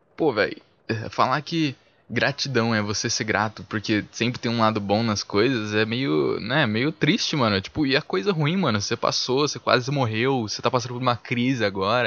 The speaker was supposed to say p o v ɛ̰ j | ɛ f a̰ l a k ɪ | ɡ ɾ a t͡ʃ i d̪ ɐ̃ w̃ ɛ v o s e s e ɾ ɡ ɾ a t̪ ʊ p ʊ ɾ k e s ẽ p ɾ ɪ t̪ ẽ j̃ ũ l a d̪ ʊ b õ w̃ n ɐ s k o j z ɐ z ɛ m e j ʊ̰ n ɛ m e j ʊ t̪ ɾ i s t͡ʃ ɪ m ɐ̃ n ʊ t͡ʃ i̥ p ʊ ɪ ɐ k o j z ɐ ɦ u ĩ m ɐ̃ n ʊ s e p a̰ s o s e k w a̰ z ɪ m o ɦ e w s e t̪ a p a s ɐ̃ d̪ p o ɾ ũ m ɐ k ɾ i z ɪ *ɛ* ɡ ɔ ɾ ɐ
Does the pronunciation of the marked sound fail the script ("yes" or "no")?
yes